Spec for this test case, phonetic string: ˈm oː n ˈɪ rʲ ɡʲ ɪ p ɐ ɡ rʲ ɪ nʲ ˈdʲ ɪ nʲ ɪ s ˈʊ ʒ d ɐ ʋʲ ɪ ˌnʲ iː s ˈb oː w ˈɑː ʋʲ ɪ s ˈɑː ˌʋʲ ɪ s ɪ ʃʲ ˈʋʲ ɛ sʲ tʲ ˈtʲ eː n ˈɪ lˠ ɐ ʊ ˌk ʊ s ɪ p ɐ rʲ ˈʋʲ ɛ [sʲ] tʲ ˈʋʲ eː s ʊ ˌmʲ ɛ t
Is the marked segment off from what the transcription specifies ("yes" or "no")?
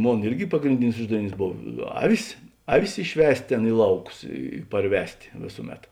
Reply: no